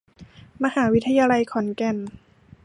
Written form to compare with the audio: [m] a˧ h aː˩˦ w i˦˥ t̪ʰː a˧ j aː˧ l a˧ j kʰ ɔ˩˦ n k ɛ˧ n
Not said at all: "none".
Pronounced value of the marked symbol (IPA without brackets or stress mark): m